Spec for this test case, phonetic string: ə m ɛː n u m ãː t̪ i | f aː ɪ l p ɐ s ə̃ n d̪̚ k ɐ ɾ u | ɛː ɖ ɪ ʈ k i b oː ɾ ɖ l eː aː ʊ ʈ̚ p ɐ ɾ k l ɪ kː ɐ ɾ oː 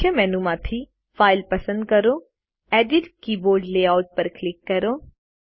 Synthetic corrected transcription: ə m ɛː n u m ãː t̪ʰ i | f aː ɪ l p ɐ s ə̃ n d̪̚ k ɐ ɾ o | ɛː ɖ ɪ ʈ k i b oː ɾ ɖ l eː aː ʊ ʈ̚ p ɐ ɾ k l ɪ kː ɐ ɾ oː